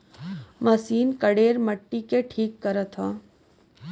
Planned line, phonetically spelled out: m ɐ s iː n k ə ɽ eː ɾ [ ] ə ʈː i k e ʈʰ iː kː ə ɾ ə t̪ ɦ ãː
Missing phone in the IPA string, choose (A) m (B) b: A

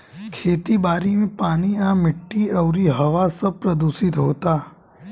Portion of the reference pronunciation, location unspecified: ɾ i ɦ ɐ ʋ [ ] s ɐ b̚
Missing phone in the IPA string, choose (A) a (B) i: A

